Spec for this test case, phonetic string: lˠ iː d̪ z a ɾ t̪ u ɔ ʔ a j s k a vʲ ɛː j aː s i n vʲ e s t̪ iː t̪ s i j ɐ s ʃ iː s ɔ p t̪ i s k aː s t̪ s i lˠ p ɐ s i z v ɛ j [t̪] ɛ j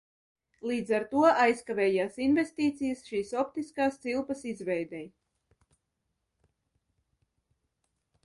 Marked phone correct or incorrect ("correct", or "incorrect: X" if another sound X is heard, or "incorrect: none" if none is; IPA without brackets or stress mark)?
incorrect: d̪